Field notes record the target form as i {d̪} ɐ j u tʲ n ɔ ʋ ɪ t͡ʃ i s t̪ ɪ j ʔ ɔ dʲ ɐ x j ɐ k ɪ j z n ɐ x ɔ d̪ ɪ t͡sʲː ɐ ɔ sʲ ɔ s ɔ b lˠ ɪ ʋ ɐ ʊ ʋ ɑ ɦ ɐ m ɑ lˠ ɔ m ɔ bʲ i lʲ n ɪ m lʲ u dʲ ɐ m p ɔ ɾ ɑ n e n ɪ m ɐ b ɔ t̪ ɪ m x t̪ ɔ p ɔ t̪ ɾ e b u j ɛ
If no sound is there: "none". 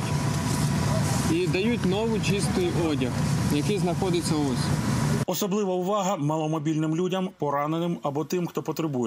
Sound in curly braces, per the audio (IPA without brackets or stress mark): d̪